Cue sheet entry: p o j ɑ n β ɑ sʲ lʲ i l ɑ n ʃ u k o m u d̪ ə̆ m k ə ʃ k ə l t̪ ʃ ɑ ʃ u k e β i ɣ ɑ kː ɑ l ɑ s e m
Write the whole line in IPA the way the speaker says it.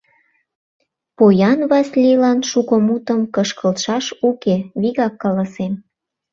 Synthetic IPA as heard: p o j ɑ n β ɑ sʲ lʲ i l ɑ n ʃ u k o m u t̪ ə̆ m k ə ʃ k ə l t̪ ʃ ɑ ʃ u k e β i ɣ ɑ kː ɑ l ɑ s e m